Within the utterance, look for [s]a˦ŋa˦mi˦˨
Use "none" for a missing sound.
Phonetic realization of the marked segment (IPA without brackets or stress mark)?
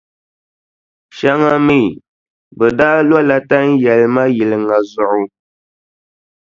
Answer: ʃ